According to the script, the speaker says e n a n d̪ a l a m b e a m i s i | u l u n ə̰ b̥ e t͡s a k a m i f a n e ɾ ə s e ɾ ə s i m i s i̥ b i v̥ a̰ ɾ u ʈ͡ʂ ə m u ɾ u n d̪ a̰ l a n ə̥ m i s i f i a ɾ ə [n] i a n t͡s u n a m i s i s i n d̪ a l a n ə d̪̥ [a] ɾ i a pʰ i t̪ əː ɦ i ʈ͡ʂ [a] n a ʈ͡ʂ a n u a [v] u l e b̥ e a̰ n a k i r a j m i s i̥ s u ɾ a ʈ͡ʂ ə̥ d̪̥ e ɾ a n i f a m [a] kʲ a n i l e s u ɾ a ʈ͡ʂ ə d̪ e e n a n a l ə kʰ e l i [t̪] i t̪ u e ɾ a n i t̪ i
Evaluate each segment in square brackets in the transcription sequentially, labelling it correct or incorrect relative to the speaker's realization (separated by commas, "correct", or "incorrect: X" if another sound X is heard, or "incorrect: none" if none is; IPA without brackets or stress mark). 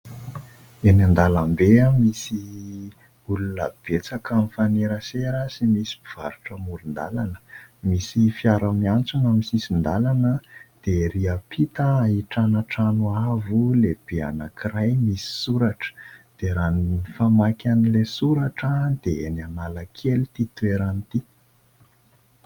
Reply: incorrect: m, incorrect: e, correct, correct, correct, correct